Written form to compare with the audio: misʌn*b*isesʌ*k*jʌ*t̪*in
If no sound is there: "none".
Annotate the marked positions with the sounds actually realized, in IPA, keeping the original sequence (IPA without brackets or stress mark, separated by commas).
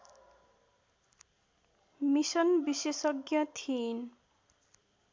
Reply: b, ɡ, t̪ʰ